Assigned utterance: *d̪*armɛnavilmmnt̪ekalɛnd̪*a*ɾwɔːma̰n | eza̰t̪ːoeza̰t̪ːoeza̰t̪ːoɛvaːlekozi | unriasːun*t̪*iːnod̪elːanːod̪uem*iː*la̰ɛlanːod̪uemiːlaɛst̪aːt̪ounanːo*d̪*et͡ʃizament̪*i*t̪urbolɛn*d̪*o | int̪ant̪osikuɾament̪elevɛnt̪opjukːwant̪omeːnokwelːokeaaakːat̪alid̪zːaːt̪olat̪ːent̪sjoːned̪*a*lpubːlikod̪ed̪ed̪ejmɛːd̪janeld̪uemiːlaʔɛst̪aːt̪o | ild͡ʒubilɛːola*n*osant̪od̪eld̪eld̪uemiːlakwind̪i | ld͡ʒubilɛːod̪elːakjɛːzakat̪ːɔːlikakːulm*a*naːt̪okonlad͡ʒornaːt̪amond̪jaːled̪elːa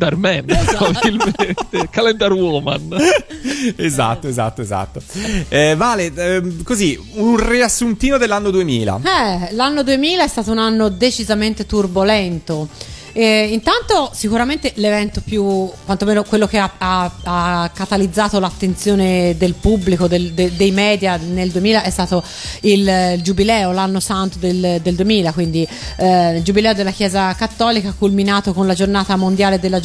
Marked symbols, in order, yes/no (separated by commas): yes, yes, yes, yes, yes, no, no, no, no, no